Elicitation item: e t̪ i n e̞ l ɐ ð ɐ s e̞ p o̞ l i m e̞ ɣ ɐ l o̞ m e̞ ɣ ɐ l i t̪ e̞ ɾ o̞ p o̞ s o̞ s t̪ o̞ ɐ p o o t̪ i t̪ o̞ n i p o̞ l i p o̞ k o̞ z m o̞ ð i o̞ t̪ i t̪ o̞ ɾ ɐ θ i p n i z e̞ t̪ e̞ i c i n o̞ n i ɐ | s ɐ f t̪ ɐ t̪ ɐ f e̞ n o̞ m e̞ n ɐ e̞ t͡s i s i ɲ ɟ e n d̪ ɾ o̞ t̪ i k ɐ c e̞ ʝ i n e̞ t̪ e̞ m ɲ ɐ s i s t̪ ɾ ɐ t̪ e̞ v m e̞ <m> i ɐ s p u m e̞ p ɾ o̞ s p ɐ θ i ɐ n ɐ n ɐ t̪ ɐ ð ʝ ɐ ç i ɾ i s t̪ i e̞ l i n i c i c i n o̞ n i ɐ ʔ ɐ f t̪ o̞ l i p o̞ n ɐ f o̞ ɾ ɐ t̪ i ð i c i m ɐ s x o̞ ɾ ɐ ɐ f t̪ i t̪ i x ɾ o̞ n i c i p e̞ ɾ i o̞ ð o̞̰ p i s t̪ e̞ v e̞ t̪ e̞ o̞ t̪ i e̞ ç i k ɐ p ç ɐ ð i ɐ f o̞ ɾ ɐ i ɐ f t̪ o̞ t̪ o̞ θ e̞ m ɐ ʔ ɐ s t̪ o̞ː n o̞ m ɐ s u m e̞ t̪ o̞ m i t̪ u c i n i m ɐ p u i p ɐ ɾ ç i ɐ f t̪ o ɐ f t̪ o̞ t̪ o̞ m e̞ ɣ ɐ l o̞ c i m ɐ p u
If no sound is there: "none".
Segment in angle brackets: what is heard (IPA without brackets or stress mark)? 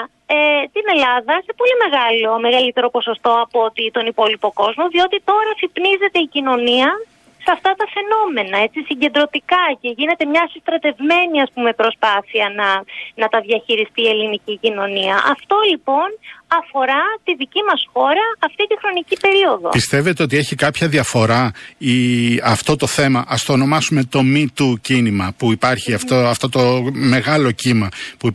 n